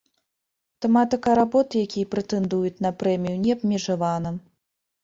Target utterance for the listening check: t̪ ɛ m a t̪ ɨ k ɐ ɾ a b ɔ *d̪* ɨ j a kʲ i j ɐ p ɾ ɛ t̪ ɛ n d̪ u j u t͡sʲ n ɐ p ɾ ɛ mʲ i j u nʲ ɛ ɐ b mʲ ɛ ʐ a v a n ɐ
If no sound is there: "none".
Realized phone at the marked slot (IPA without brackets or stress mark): t̪